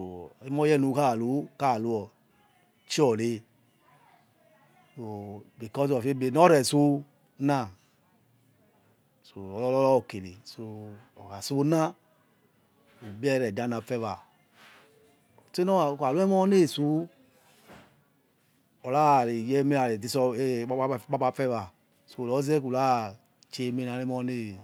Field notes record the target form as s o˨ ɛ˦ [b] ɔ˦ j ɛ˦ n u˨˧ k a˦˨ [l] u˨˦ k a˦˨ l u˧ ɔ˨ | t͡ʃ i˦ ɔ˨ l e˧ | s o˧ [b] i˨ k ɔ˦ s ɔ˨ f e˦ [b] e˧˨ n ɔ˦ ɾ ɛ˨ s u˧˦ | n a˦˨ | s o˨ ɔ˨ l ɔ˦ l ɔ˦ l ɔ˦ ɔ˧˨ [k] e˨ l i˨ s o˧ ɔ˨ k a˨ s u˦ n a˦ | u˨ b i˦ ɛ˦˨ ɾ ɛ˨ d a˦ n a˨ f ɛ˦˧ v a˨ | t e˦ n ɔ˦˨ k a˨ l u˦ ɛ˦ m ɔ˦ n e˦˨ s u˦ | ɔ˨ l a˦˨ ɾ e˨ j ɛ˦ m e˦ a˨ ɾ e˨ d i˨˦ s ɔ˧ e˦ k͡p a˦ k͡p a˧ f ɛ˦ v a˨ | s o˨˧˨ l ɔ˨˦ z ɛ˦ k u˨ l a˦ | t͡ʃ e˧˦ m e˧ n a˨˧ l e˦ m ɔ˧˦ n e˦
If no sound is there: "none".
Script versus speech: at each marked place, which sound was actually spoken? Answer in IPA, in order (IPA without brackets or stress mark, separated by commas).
m, l, b, b, k